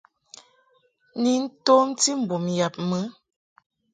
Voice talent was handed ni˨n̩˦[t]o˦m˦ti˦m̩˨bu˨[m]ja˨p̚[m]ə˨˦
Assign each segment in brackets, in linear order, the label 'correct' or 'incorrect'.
correct, correct, correct

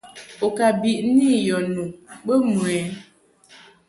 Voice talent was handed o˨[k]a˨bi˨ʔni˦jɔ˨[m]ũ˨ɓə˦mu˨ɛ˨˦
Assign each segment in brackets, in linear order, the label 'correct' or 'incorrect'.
correct, incorrect: n

